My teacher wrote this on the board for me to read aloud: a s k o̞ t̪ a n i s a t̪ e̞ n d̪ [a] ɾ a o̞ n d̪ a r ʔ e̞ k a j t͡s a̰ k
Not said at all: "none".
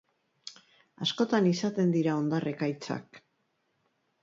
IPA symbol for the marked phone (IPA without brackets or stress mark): i